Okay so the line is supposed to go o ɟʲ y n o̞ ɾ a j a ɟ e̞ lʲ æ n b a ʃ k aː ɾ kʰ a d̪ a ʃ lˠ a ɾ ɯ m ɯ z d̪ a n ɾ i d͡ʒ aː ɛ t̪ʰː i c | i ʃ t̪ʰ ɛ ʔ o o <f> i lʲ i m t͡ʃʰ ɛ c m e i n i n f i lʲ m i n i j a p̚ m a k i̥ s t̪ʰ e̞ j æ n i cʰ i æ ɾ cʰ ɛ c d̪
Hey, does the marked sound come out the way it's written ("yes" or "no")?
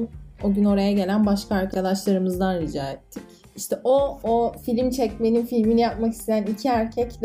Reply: yes